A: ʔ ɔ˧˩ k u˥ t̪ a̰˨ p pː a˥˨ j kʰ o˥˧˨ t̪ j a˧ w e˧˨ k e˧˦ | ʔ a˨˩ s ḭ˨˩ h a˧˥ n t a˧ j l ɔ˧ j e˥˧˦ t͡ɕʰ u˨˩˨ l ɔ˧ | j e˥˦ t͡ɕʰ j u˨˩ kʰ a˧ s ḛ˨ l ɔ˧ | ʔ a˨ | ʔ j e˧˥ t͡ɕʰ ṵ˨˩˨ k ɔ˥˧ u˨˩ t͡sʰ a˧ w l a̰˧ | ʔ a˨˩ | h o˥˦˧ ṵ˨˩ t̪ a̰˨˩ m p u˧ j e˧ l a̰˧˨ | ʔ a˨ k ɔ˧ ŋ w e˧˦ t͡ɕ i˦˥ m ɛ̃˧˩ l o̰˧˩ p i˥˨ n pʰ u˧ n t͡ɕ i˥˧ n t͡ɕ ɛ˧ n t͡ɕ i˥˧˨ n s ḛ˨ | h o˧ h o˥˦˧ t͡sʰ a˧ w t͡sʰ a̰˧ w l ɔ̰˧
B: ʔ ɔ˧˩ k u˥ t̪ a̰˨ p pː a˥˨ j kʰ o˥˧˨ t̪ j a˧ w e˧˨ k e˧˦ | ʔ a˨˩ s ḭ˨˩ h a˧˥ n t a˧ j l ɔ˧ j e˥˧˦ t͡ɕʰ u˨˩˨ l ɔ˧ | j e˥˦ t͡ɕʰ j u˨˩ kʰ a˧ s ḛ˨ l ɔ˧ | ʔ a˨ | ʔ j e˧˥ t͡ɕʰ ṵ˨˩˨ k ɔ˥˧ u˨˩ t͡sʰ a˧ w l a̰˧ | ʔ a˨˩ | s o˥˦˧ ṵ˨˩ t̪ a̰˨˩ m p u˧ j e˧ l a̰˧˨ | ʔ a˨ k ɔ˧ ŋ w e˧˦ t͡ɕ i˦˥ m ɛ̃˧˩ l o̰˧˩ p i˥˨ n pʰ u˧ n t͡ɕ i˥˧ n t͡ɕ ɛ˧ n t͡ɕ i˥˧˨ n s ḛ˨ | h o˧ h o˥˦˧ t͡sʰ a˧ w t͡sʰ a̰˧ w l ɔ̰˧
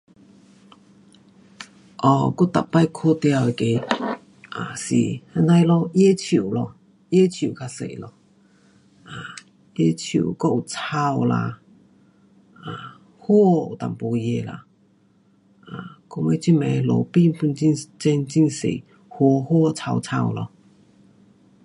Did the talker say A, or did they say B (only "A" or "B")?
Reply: A